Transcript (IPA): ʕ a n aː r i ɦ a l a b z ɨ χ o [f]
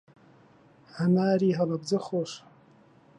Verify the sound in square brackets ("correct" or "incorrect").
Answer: incorrect